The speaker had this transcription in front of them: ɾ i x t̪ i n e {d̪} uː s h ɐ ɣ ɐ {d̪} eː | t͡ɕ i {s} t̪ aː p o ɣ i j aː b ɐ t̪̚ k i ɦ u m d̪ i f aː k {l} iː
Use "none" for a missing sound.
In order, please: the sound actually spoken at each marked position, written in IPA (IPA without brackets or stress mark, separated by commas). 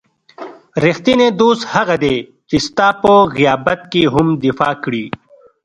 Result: d̪, d̪, s, ɽ